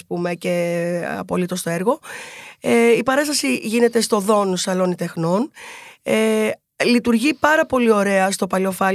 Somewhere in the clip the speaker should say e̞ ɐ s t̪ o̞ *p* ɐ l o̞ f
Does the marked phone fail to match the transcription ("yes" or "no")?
no